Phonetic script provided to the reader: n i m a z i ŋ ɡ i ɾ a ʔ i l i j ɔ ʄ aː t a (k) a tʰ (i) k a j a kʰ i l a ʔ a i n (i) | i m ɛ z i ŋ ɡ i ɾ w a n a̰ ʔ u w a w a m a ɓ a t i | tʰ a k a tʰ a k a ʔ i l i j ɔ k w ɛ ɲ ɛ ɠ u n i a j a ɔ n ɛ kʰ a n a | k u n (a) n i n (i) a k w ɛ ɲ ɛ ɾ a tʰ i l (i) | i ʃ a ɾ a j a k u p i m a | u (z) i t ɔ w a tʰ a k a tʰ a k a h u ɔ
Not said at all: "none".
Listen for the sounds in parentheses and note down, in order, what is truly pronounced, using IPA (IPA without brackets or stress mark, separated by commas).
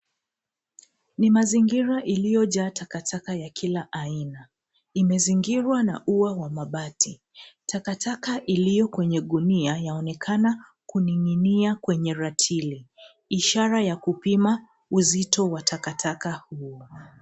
k, a, a, i, i, i, z